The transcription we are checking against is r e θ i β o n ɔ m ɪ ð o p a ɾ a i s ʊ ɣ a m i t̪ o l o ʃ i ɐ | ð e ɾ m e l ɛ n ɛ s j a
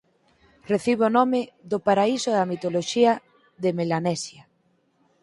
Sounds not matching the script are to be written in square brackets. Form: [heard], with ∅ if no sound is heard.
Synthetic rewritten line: r e θ i β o n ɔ m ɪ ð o p a ɾ a i s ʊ [ð] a m i t̪ o l o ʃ i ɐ | ð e [∅] m e l [a] n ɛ s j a